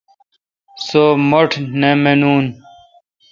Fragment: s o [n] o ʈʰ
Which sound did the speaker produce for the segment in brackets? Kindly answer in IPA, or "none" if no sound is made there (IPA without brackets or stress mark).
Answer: m